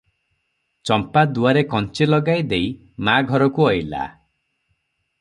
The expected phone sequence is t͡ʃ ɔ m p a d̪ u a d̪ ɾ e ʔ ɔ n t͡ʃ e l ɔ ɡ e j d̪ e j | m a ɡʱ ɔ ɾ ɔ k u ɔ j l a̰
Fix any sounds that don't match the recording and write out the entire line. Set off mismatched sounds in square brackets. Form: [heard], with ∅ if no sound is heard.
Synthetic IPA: t͡ʃ ɔ m p a d̪ u a [∅] ɾ e [k] ɔ n t͡ʃ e l ɔ ɡ [a] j d̪ e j | m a ɡʱ ɔ ɾ ɔ k u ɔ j l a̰